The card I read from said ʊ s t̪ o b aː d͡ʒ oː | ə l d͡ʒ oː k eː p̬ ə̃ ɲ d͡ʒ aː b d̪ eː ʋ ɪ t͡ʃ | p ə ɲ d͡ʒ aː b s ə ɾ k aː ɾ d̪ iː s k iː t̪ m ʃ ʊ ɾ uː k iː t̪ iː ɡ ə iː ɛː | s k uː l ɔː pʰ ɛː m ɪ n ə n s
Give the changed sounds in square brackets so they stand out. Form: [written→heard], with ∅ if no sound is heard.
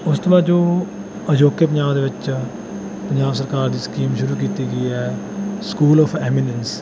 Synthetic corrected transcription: ʊ s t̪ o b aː d͡ʒ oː | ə [l→∅] d͡ʒ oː k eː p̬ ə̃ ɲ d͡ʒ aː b d̪ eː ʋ ɪ t͡ʃ | p ə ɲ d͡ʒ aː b s ə ɾ k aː ɾ d̪ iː s k iː [t̪→∅] m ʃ ʊ ɾ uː k iː t̪ iː ɡ ə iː ɛː | s k uː l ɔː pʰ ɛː m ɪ n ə n s